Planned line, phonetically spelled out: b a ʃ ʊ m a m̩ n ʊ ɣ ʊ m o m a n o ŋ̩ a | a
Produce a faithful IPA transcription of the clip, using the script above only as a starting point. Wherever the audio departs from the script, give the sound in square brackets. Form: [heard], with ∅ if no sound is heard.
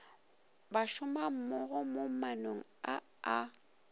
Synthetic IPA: b a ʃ ʊ m a m̩ [m] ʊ ɣ ʊ m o m a n o ŋ̩ a | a